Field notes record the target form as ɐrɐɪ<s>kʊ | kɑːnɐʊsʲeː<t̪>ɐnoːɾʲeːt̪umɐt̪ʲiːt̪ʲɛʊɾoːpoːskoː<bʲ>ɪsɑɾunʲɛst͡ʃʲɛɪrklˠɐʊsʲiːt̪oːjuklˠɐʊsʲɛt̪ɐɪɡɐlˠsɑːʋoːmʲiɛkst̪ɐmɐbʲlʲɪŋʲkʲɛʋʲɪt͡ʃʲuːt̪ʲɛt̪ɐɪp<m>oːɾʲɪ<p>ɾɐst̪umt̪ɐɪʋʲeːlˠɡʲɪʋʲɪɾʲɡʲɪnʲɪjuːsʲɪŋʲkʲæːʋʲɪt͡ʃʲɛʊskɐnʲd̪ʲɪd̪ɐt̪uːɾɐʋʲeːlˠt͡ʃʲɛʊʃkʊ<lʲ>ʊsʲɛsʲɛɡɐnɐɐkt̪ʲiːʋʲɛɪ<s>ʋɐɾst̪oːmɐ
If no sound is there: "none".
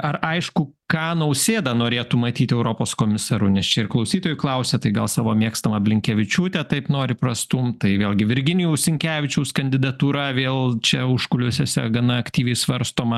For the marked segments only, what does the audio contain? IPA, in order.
ʃ, d̪, mʲ, n, p, lʲ, s

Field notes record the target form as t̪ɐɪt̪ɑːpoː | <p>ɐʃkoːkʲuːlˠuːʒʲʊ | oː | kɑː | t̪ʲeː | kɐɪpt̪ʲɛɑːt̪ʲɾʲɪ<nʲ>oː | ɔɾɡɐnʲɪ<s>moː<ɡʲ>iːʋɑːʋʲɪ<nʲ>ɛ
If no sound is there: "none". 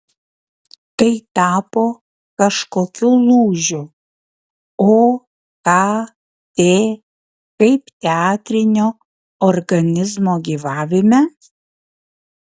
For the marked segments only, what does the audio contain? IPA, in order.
k, nʲ, z, ɡʲ, mʲ

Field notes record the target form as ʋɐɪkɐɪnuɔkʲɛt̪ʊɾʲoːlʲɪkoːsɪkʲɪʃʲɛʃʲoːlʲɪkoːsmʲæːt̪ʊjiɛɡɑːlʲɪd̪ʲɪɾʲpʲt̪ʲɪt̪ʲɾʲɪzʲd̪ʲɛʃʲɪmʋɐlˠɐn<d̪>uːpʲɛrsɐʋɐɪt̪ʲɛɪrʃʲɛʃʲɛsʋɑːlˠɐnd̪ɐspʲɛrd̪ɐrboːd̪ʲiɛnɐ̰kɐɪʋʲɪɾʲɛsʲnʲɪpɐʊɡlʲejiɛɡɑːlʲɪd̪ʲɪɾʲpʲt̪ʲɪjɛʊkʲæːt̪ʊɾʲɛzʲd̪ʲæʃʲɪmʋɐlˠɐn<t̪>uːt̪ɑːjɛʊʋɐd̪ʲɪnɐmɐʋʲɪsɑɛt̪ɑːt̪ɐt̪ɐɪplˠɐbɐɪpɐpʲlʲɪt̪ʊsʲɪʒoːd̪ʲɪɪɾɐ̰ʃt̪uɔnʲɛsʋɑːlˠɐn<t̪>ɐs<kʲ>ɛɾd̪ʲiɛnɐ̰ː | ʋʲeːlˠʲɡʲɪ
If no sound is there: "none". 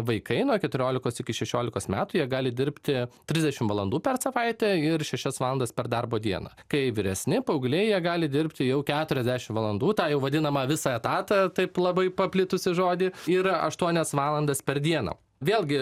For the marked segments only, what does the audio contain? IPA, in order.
d̪, d̪, d̪, pʲ

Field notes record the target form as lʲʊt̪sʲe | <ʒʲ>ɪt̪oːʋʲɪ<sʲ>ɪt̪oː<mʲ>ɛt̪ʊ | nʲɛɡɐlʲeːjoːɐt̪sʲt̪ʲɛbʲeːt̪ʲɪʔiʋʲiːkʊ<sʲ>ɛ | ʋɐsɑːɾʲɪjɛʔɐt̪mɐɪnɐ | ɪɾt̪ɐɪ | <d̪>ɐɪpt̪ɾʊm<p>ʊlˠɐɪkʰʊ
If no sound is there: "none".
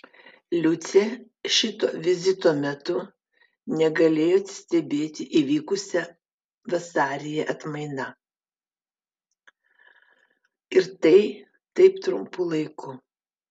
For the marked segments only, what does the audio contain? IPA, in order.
ʃʲ, zʲ, mʲ, sʲ, t̪, p

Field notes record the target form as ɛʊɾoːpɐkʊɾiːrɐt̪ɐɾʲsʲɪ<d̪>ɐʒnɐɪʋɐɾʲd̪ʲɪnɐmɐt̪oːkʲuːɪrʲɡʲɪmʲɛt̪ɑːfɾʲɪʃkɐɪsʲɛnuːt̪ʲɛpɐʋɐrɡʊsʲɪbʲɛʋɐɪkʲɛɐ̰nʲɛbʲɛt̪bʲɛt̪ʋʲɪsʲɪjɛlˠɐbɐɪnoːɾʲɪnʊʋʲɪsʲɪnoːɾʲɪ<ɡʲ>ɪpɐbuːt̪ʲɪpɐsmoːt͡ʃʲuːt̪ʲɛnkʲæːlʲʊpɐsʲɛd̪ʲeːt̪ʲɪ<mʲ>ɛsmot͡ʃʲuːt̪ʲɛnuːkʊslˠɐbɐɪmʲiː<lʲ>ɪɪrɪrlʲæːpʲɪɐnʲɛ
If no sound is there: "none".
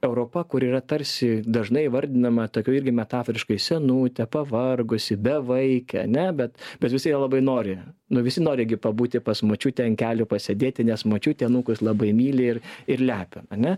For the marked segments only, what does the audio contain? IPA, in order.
d̪, ɡʲ, nʲ, lʲ

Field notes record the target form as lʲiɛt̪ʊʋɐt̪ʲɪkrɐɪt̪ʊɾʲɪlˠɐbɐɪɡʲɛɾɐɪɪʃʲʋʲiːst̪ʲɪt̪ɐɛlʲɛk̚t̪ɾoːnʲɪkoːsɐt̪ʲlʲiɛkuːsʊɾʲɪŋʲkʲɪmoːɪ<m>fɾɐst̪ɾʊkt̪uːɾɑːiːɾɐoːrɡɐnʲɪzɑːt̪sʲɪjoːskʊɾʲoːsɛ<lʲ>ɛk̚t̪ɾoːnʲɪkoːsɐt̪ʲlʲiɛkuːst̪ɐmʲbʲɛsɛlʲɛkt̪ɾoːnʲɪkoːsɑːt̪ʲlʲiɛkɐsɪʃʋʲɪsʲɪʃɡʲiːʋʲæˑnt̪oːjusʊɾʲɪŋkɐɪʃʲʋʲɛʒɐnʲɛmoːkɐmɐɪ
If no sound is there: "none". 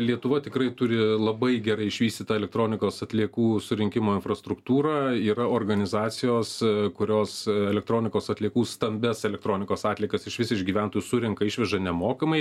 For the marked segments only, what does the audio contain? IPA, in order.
n, lʲ

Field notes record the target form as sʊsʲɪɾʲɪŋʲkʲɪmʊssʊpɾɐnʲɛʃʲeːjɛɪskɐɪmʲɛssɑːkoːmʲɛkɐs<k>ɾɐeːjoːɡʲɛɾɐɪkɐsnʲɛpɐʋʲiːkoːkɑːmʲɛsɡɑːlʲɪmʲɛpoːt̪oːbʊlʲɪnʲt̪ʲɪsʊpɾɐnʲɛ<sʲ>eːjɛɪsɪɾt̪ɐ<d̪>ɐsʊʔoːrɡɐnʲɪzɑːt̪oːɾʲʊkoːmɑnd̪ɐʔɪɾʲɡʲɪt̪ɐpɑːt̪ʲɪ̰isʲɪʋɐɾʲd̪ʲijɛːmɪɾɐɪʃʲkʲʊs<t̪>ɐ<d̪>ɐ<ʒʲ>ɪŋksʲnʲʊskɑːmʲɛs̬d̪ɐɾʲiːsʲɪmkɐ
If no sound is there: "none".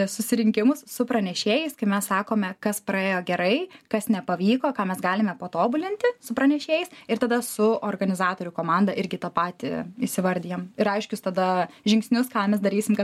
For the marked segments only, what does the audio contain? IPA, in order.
p, ʃʲ, d̪, t̪, d̪, ʒʲ

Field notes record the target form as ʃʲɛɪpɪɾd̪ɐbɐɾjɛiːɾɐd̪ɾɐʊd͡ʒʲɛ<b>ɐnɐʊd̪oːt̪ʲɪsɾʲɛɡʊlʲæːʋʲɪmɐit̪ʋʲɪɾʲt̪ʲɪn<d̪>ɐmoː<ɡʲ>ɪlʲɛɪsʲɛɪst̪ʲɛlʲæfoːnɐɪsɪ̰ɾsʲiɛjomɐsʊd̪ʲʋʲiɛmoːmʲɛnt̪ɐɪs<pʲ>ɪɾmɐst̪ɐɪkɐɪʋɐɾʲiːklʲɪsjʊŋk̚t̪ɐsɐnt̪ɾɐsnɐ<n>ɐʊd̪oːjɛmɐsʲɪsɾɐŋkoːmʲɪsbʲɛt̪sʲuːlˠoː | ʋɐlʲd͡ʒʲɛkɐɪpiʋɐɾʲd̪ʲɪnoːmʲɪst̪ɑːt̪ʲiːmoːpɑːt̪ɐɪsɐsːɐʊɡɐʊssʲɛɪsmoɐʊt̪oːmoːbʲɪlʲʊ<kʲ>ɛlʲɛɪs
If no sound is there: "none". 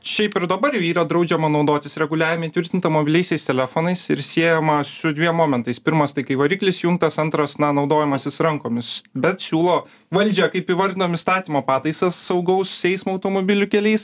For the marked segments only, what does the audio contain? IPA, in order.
m, t̪, bʲ, pʲ, n, kʲ

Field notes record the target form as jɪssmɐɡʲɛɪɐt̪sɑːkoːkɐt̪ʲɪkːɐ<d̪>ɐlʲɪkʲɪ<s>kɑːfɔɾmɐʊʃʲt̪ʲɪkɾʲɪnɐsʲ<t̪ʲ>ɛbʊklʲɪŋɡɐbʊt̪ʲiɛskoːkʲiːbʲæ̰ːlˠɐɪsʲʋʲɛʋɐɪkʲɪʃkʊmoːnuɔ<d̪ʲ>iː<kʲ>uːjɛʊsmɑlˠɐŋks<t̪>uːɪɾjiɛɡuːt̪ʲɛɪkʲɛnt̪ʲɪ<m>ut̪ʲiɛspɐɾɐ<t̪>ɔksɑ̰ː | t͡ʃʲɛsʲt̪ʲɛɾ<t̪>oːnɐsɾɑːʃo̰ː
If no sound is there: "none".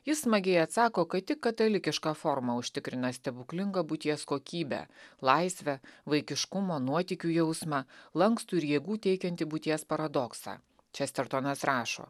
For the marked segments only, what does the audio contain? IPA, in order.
t̪, ʃ, t̪ʲ, t̪ʲ, kʲ, t̪, b, d̪, t̪

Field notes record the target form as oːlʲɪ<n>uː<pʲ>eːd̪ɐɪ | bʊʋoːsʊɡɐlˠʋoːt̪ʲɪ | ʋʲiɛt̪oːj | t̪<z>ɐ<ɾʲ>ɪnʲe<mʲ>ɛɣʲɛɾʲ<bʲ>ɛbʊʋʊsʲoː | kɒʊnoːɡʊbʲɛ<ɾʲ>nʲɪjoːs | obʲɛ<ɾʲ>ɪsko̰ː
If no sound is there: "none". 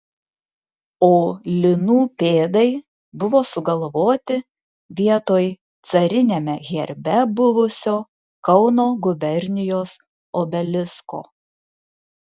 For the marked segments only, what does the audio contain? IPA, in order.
n, pʲ, s, ɾʲ, mʲ, bʲ, ɾʲ, lʲ

